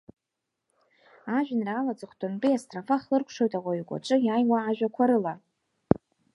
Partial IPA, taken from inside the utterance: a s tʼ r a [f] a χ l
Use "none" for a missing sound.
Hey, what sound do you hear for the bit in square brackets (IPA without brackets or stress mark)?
f